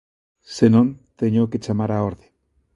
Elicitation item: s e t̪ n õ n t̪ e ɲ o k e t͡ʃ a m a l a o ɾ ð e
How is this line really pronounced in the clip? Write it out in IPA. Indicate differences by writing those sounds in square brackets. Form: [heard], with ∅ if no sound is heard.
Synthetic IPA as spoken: s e [∅] n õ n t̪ e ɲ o k e t͡ʃ a m a [ɾ] a o ɾ ð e